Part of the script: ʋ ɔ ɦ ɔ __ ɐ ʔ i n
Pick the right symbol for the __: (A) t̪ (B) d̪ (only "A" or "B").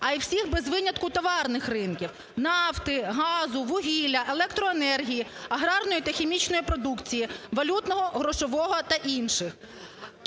A